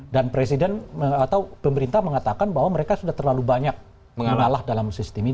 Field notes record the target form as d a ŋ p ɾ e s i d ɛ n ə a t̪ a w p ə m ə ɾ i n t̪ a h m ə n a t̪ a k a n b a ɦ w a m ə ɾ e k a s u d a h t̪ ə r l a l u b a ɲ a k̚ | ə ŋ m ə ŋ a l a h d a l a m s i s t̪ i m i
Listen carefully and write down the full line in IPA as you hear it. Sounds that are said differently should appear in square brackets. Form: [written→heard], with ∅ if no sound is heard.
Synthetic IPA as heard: d a [ŋ→n] p ɾ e s i d ɛ n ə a t̪ a w p ə m ə ɾ i n t̪ a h m ə [n→ŋ] a t̪ a k a n b a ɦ w a m ə ɾ e k a s u d a h t̪ ə r l a l u b a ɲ a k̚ | ə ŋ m ə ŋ a l a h d a l a m s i s t̪ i m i

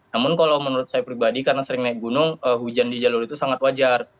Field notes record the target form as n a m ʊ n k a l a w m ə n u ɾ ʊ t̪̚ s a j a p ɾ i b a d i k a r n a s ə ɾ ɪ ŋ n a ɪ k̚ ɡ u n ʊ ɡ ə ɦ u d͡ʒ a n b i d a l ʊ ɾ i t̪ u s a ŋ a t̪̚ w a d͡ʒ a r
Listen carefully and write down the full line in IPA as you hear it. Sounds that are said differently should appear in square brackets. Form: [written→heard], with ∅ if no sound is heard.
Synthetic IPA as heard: n a m ʊ n k a l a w m ə n u ɾ ʊ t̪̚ s a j a p ɾ i b a d i k a r n a s ə ɾ ɪ ŋ n a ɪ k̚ ɡ u n ʊ [ɡ→ŋ] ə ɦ u d͡ʒ a n [b→d] i [d→d͡ʒ] a l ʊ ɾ i t̪ u s a ŋ a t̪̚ w a d͡ʒ a r

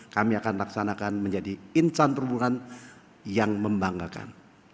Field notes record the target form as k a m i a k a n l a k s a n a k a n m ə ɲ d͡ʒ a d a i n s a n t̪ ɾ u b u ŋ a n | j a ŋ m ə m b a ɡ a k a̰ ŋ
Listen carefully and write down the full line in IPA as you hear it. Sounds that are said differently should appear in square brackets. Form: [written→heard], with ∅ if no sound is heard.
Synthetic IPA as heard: k a m i a k a n l a k s a n a k a n m ə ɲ d͡ʒ a d [a→i] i n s a n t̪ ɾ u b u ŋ a n | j a ŋ m ə m b a [ɡ→ŋ] a k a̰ [ŋ→n]

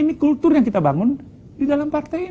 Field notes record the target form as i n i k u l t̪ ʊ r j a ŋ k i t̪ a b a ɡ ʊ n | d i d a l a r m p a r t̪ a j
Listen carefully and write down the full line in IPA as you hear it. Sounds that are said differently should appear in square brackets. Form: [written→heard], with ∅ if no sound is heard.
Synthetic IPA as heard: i n i k u l t̪ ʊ r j a ŋ k i t̪ a b a [ɡ→ŋ] ʊ n | d i d a l a [r→∅] m p a r t̪ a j

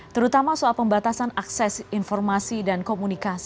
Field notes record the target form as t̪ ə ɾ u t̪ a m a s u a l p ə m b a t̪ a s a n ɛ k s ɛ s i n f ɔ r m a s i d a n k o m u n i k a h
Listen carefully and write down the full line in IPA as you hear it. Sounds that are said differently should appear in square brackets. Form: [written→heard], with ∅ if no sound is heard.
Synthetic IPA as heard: t̪ ə ɾ u t̪ a m a s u a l p ə m b a t̪ a s a n [ɛ→a] k s ɛ s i n f ɔ r m a s i d a n k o m u n i k a [h→s]

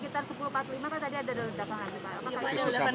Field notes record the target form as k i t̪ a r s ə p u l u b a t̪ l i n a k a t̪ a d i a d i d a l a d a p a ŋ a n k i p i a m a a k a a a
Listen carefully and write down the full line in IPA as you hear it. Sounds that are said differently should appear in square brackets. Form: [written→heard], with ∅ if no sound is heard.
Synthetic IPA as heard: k i t̪ a r s ə p u l u [b→p] a t̪ l i [n→m] a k a t̪ a d i a d [i→a] d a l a d a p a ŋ a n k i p [i→a] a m a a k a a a

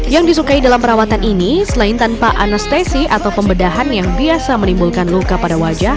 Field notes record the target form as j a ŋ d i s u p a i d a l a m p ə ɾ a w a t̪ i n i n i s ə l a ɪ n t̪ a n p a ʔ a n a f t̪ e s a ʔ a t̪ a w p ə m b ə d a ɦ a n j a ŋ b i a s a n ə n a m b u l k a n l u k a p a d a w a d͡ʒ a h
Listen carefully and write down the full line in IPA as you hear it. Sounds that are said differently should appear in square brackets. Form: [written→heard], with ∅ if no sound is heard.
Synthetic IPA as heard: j a ŋ d i s u [p→k] a i d a l a m p ə ɾ a w a t̪ [i→a] n i n i s ə l a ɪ n t̪ a n p a ʔ a n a [f→s] t̪ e s [a→i] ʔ a t̪ a w p ə m b ə d a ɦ a n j a ŋ b i a s a [n→m] ə n [a→i] m b u l k a n l u k a p a d a w a d͡ʒ a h

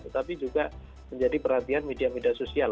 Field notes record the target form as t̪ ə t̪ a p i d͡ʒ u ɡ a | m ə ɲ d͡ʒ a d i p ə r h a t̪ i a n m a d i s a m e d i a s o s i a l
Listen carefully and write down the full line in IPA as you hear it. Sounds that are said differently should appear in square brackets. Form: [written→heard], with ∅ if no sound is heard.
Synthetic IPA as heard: t̪ ə t̪ a p i d͡ʒ u ɡ a | m ə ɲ d͡ʒ a d i p ə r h a t̪ i a n m [a→e] d i [s→∅] a m e d i a s o s i a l

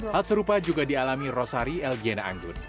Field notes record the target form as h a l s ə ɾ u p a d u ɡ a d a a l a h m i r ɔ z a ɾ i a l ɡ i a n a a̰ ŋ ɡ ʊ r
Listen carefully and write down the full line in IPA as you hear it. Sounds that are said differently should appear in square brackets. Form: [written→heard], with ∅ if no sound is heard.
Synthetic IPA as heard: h a l s ə ɾ u p a [d→d͡ʒ] u ɡ a d [a→i] a l a [h→∅] m i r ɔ [z→s] a ɾ i [a→ɛ] l ɡ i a n a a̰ ŋ ɡ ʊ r

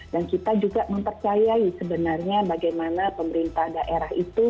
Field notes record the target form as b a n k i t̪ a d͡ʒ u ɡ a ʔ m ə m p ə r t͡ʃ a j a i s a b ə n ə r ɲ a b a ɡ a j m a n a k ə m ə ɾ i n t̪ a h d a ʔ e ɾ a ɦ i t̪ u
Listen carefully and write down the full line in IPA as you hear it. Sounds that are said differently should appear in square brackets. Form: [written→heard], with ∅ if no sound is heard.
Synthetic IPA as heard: [b→d] a n k i t̪ a d͡ʒ u ɡ a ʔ m ə m p ə r t͡ʃ a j a i s [a→ə] b ə n [ə→a] r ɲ a b a ɡ a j m a n a [k→p] ə m ə ɾ i n t̪ a h d a ʔ e ɾ a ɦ i t̪ u

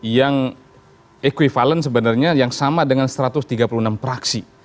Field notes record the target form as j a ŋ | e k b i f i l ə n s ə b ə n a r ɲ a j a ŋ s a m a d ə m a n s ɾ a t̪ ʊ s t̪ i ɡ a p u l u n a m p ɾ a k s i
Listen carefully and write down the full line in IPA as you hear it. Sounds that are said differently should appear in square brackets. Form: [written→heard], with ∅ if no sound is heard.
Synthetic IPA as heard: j a ŋ | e k [b→w] i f [i→a] l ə n s ə b ə n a r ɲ a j a ŋ s a m a d ə [m→ŋ] a n s ɾ a t̪ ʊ s t̪ i ɡ a p u l u n a m p ɾ a k s i

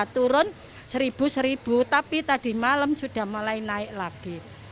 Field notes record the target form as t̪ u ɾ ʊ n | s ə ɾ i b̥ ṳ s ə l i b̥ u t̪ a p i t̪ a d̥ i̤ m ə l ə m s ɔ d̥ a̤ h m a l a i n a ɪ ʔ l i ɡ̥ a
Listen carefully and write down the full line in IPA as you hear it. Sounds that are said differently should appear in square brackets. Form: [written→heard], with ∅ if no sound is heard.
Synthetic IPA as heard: t̪ u ɾ ʊ n | s ə ɾ i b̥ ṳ s ə [l→ɾ] i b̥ u t̪ a p i t̪ a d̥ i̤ m [ə→a] l ə m s [ɔ→u] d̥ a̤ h m a l a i n a ɪ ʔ l [i→a] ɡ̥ [a→i]

